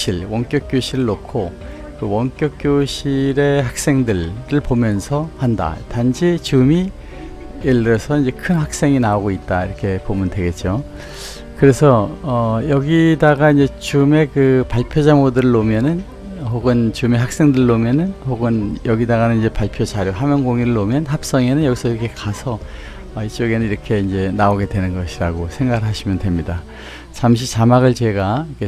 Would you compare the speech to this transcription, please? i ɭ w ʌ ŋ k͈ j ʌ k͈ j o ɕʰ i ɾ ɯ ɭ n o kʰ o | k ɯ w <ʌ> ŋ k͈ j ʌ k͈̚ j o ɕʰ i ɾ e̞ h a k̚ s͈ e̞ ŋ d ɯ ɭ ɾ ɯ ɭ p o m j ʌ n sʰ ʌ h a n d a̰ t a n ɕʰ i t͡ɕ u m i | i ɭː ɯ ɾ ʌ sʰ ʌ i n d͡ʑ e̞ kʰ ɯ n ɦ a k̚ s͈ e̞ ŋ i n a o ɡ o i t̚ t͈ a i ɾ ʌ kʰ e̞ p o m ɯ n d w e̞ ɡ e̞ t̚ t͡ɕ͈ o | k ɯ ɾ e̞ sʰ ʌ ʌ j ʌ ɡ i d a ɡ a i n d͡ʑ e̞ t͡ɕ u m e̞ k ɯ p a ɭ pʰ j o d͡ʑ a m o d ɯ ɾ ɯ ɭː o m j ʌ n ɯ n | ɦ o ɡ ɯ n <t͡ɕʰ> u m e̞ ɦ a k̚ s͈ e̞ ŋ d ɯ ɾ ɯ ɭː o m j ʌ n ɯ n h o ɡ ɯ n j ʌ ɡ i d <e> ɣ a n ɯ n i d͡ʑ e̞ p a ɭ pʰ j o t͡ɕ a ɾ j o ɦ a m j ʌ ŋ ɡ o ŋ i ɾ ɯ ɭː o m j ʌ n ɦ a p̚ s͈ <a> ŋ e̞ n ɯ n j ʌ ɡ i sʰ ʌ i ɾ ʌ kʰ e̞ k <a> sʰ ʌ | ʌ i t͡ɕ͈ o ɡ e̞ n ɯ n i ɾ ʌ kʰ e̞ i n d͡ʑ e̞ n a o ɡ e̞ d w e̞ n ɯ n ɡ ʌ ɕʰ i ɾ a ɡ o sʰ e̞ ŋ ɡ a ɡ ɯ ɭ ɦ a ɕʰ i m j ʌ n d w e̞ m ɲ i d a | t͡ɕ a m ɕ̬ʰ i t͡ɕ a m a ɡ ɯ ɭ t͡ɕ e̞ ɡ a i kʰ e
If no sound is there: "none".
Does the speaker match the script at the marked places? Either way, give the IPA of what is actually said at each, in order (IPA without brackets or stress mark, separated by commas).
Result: ʌ, t͡ɕ, a, ʌ, a